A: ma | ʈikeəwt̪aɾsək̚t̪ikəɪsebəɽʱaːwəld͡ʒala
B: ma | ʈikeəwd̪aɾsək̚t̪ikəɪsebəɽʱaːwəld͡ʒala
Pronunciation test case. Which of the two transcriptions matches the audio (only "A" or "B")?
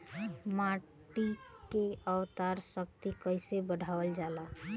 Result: A